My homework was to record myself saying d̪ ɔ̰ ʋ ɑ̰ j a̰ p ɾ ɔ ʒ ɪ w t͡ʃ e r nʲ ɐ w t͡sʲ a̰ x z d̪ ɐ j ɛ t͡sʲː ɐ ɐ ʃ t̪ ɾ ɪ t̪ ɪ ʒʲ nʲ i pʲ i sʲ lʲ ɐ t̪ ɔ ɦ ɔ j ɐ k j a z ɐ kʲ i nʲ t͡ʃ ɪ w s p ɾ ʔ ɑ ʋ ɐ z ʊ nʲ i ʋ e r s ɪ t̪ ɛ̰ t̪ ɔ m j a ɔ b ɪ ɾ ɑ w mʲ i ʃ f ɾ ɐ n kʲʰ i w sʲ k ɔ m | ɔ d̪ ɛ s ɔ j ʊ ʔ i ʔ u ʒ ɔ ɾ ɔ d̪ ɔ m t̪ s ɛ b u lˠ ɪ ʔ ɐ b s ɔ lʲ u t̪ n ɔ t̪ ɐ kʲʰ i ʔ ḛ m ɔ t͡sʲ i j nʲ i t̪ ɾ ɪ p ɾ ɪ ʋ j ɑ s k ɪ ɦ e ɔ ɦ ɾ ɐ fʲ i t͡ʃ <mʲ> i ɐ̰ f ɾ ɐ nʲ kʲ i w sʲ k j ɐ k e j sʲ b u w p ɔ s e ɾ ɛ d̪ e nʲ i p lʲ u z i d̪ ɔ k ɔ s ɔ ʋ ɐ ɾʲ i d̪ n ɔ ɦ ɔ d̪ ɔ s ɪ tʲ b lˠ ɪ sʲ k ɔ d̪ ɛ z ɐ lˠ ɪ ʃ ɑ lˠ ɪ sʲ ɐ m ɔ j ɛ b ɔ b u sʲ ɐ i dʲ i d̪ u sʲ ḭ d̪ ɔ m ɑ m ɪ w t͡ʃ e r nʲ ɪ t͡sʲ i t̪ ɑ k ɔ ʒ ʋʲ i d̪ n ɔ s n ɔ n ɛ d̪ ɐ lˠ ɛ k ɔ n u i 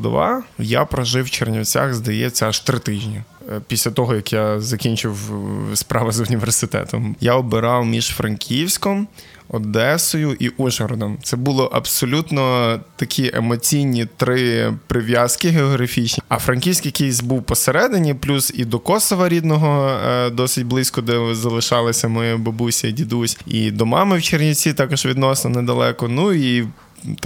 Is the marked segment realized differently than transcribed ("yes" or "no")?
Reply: yes